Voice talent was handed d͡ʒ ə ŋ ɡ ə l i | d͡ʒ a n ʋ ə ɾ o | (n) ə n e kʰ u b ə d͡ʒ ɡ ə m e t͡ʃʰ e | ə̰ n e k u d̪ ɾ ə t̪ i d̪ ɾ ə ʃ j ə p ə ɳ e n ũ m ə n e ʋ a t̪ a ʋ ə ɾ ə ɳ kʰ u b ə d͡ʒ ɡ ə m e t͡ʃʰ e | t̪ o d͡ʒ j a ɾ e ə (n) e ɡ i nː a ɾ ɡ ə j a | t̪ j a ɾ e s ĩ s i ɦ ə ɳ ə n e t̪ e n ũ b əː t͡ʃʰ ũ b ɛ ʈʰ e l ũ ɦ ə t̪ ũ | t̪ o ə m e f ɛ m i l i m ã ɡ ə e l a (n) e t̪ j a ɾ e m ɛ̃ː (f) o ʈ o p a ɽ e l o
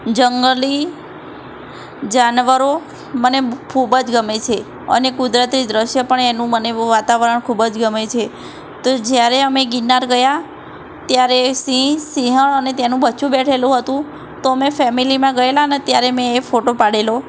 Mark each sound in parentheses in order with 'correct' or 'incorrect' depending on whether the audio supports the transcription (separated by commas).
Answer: incorrect, incorrect, correct, correct